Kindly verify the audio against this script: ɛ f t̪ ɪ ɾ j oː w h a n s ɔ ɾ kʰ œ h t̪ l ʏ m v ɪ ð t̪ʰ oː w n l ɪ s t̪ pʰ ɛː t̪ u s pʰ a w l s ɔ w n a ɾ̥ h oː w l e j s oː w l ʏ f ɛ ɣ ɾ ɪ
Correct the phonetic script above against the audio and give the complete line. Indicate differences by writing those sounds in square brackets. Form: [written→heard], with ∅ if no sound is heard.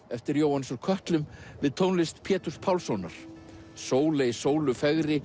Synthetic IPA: ɛ f t̪ ɪ ɾ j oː w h a n s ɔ ɾ kʰ œ h t̪ l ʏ m v ɪ ð t̪ʰ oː w n l ɪ s t̪ pʰ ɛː t̪ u s pʰ a w l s ɔ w n a ɾ̥ [h→s] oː w l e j s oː w l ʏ f ɛ ɣ ɾ ɪ